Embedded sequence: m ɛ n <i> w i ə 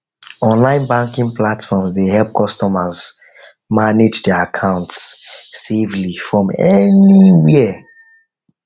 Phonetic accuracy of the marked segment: correct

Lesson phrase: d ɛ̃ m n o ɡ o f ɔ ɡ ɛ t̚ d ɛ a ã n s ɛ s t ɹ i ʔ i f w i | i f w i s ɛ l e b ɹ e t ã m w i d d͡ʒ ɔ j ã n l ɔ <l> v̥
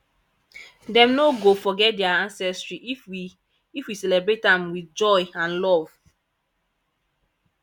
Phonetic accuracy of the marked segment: incorrect: none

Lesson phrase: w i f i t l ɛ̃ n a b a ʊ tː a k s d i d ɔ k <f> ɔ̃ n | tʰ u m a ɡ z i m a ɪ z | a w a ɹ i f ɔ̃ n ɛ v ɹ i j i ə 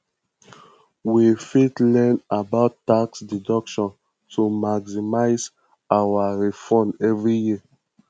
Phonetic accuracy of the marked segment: incorrect: ʃ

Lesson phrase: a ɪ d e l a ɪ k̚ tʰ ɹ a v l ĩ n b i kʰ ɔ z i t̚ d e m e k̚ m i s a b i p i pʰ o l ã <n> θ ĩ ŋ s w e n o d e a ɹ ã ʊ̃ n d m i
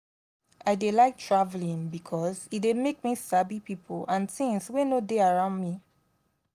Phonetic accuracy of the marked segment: correct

